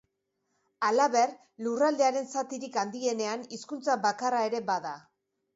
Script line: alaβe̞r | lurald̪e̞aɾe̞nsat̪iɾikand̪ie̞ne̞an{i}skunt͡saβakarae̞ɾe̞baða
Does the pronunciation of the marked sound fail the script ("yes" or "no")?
no